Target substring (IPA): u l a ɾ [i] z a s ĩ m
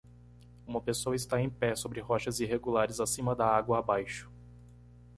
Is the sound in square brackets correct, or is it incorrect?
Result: incorrect